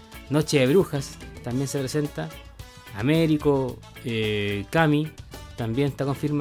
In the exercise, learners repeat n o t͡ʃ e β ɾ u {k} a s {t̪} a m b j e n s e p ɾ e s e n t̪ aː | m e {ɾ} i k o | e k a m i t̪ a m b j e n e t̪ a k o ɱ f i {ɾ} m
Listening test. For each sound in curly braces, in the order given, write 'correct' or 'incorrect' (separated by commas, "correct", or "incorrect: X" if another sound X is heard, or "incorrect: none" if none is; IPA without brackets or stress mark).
incorrect: x, correct, correct, correct